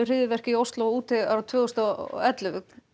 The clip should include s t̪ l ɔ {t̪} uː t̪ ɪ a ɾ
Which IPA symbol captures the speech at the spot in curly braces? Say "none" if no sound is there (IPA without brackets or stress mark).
none